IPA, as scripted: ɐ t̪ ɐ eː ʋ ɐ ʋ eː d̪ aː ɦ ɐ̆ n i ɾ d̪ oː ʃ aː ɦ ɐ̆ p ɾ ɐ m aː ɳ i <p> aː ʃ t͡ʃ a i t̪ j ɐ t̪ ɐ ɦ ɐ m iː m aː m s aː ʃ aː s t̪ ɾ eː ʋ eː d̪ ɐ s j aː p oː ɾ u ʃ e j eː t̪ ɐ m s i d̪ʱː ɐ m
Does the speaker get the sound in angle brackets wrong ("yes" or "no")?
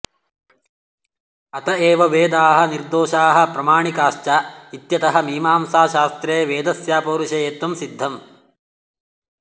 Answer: yes